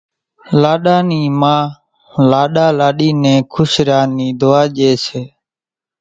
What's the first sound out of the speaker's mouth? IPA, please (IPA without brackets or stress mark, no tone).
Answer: l